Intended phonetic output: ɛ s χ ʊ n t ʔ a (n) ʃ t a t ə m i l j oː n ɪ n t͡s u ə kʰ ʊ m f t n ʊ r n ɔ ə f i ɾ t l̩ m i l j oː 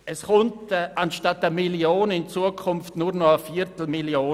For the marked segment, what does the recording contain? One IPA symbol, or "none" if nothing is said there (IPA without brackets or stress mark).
n